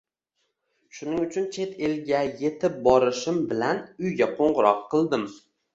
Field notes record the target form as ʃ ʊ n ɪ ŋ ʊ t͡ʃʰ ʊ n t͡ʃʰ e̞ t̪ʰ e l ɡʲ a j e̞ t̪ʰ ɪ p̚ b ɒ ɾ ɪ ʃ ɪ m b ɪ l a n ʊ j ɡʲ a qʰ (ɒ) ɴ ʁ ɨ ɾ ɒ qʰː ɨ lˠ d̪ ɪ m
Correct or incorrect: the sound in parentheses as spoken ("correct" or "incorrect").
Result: incorrect